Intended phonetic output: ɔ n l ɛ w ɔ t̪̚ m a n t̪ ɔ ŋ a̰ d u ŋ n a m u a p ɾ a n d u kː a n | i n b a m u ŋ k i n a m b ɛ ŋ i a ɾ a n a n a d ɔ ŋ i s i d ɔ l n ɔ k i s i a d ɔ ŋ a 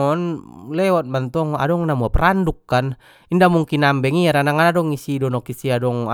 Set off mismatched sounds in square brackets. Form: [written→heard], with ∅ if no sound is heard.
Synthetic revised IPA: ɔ n l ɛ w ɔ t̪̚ m a n t̪ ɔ ŋ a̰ d [u→ɔ] ŋ n a m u a p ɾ a n d u kː a n | i n [b→d] a m u ŋ k i n a m b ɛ ŋ i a ɾ a n a [n→ŋ] a d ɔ ŋ i s i d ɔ [l→∅] n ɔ k i s i a d ɔ ŋ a